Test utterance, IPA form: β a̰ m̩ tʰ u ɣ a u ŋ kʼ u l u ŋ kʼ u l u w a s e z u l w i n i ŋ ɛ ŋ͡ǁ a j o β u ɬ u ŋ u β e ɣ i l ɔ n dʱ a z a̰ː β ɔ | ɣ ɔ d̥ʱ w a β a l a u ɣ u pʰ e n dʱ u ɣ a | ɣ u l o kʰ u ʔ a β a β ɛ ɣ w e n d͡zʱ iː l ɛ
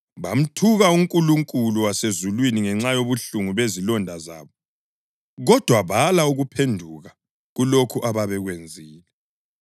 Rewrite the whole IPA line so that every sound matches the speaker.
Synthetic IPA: β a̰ m̩ tʰ u ɣ a u ŋ kʼ u l u ŋ kʼ u l u w a s e z u l w i n i ŋ ɛ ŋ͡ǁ a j o β u ɬ u ŋ u β e z i l ɔ n dʱ a z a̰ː β ɔ | ɣ ɔ d̥ʱ w a β a l a u ɣ u pʰ e n dʱ u ɣ a | ɣ u l o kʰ u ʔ a β a β ɛ ɣ w e n d͡zʱ iː l ɛ